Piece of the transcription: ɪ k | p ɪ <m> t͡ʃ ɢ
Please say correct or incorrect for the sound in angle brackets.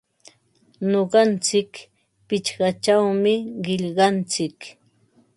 incorrect: none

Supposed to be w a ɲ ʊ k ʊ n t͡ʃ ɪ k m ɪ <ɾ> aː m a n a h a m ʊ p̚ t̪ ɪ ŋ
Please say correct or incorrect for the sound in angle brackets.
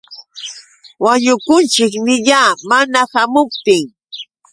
incorrect: ʎ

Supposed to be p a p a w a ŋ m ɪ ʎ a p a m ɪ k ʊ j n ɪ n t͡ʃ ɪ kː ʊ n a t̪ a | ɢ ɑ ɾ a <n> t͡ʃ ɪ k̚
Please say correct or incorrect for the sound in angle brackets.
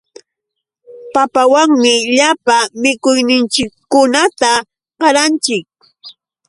correct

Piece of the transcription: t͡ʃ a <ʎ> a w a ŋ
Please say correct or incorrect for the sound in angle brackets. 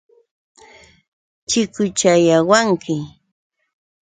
incorrect: j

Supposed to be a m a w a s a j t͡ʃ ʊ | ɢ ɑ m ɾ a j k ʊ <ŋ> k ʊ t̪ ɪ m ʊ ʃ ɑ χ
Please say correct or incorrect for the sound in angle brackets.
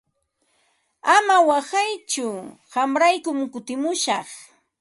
incorrect: m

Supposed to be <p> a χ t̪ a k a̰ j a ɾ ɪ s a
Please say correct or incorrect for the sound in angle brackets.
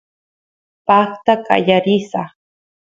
correct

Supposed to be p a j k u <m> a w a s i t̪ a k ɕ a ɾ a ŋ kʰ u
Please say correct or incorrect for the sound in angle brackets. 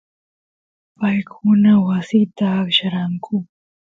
incorrect: n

